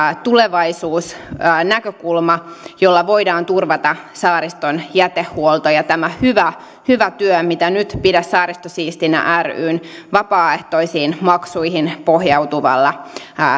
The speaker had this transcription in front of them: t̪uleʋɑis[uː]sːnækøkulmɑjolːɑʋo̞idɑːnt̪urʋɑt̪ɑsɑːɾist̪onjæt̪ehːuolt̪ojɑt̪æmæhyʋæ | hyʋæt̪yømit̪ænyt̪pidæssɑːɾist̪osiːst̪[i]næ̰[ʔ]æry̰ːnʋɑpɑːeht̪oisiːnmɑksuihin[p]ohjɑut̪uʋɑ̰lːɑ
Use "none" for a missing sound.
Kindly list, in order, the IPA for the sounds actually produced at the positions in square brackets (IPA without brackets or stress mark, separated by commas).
uː, i, ʔ, p